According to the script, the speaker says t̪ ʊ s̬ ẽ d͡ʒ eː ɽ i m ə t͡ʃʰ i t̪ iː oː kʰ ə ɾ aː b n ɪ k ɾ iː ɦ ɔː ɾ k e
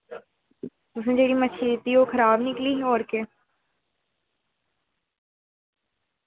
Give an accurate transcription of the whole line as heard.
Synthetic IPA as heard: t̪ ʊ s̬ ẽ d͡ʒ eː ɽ i m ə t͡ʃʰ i t̪ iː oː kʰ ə ɾ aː b n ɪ k l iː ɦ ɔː ɾ k e